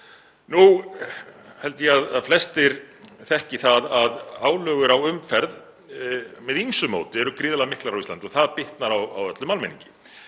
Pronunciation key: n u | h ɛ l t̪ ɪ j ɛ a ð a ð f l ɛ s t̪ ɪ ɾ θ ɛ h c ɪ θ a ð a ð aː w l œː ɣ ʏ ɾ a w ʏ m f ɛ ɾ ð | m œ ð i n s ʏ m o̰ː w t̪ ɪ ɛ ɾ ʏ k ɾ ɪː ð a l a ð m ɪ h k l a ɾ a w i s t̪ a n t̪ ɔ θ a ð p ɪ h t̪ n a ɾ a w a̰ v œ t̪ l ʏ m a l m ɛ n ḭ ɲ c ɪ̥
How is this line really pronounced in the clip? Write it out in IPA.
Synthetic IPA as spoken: n u | h ɛ l t̪ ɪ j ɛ a ð a ð f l ɛ s t̪ ɪ ɾ θ ɛ h c ɪ θ a ð a ð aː w l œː ɣ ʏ ɾ a w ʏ m f ɛ ɾ ð | m ɛ ð i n s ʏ m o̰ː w t̪ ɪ ɛ ɾ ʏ k ɾ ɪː ð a l a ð m ɪ h k l a ɾ a w i s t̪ a n t̪ ɔ θ a ð p ɪ h t̪ n a ɾ a w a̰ w œ t̪ l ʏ m a l m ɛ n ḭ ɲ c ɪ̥